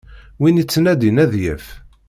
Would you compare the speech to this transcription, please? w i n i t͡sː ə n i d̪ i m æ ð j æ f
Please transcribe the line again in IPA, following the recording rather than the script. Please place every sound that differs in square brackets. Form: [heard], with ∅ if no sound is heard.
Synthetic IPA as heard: w i n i t͡sː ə n [æ] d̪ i [n] æ ð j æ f